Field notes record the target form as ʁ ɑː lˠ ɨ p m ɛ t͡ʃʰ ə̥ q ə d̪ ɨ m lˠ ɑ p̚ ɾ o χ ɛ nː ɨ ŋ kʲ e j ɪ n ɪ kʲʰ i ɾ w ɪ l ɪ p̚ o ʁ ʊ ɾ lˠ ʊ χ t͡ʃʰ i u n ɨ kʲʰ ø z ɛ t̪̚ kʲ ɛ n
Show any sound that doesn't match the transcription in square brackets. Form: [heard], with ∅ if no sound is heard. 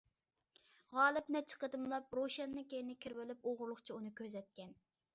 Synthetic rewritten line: ʁ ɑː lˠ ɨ p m ɛ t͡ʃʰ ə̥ q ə d̪ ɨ m lˠ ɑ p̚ ɾ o [ʃ] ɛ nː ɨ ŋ kʲ e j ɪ n ɪ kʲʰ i ɾ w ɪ l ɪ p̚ o ʁ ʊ ɾ lˠ ʊ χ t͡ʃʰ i u n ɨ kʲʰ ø z ɛ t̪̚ kʲ ɛ n